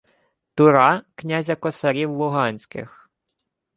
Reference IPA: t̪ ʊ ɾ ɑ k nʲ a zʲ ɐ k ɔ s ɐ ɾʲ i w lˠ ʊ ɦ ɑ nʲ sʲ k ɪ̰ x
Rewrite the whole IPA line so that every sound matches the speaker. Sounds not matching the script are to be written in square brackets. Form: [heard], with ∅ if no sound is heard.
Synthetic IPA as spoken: t̪ ʊ ɾ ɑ k nʲ a zʲ ɐ k ɔ s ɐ ɾʲ i w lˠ ʊ ɦ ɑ nʲ sʲ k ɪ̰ x